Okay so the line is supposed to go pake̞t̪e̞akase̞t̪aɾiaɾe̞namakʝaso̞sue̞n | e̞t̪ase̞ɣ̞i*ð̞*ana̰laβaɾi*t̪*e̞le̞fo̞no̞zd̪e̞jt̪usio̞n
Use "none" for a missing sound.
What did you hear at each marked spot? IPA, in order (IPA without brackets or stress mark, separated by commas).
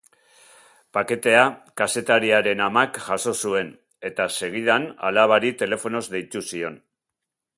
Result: ð̞, t̪